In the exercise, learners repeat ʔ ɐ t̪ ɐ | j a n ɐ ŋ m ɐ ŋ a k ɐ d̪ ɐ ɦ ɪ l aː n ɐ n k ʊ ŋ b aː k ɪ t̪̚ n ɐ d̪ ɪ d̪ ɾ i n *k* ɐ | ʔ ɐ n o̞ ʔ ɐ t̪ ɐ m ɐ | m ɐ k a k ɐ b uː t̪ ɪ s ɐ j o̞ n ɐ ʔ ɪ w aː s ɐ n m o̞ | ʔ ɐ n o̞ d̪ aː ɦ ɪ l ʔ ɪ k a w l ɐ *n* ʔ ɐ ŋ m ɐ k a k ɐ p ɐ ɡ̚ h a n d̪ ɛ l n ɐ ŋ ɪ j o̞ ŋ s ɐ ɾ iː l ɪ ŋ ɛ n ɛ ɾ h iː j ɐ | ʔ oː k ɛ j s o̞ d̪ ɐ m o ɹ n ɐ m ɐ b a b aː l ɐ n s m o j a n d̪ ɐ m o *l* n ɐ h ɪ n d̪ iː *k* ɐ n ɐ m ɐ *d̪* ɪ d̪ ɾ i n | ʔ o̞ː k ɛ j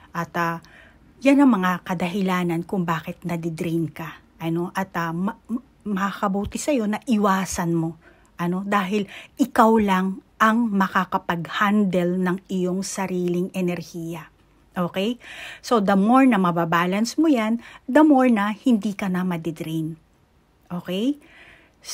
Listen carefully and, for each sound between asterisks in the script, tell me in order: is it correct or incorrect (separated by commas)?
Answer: correct, incorrect, incorrect, correct, correct